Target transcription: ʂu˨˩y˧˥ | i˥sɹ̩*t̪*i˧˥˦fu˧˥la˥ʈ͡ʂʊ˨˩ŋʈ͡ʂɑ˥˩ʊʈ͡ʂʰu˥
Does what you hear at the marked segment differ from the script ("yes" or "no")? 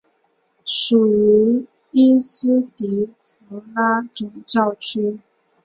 no